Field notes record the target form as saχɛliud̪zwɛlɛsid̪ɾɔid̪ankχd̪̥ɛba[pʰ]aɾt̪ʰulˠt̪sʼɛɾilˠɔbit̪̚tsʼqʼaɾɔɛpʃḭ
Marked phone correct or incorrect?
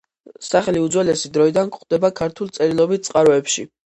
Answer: incorrect